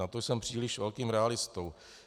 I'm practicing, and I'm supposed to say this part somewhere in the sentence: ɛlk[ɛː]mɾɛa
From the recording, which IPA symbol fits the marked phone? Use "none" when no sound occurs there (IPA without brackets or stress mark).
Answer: iː